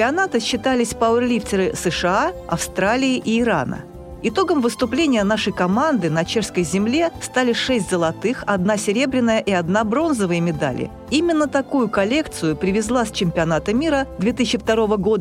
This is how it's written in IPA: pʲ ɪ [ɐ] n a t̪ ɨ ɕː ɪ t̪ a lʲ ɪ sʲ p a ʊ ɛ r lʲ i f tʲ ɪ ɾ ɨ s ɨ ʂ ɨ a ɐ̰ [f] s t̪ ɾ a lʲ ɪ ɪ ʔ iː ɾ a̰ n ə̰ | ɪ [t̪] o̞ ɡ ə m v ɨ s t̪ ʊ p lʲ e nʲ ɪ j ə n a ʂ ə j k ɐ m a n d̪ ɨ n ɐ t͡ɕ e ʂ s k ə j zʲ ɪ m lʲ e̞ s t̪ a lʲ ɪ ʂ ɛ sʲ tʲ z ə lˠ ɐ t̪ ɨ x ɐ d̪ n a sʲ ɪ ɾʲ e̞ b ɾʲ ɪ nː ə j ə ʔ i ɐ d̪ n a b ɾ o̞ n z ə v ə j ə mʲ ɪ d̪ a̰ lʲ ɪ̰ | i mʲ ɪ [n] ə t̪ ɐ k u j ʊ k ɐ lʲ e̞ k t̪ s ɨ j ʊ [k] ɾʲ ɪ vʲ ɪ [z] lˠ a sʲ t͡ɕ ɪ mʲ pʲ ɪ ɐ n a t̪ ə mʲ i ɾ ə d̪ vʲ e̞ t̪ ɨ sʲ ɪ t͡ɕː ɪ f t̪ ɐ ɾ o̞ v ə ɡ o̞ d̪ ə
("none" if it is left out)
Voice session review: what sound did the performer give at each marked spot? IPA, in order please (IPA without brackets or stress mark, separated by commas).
ɐ, f, t̪, nː, p, z